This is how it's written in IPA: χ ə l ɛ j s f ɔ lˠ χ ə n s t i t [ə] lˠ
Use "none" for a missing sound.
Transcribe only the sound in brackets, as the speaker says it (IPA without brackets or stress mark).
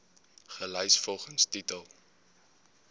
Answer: ə